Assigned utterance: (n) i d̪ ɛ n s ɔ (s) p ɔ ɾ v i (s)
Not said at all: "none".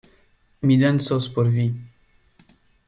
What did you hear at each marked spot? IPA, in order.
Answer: m, s, none

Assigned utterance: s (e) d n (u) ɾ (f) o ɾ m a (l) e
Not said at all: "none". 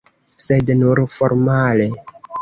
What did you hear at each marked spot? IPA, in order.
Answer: e, u, f, l

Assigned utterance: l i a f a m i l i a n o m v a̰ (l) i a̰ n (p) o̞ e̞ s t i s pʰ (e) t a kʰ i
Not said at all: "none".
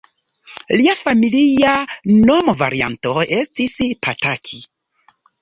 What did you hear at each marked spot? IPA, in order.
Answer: ɾ, t, a

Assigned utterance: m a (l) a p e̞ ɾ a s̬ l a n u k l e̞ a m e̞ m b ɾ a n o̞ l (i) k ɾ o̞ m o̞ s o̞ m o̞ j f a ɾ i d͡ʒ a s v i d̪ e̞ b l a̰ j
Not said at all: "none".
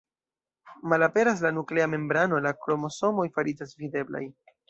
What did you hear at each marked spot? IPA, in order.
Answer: l, a

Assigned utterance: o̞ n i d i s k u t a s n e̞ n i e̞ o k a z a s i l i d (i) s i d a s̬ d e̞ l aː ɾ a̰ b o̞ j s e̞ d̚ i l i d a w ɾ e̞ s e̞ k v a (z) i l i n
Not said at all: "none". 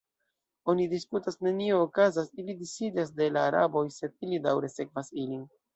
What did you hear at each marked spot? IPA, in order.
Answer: i, s

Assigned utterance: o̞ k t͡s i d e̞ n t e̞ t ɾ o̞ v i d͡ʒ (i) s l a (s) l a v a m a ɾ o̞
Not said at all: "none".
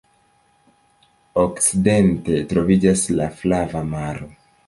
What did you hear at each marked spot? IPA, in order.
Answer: a, f

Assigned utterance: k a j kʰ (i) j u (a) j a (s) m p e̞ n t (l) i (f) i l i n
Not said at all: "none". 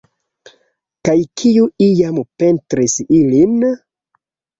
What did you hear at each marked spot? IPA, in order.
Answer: i, i, none, ɾ, s

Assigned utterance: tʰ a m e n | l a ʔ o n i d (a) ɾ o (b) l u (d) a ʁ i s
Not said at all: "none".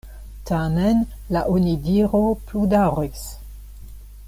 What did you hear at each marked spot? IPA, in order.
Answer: i, p, d

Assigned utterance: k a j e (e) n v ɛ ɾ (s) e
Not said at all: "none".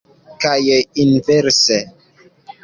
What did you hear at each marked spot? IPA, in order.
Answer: i, s

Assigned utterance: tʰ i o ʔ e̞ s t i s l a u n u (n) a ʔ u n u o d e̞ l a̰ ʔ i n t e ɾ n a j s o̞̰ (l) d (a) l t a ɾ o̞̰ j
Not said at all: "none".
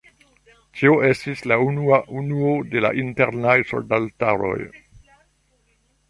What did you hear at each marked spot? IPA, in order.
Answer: none, l, a

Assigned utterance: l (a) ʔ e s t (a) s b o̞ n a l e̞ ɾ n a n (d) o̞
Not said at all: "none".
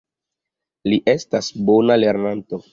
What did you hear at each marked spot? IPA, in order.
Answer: i, a, t

